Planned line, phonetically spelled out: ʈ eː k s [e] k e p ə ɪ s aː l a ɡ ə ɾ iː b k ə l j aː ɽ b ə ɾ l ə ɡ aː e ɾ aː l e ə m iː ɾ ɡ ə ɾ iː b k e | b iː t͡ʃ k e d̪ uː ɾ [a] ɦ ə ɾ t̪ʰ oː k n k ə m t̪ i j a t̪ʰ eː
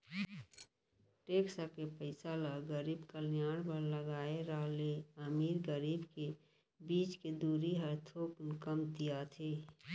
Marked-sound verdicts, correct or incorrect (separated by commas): incorrect, incorrect